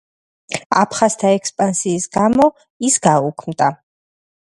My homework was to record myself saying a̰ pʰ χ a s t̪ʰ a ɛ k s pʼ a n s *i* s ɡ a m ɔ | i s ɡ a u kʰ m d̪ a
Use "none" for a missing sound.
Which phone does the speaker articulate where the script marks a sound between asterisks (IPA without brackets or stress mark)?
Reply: iː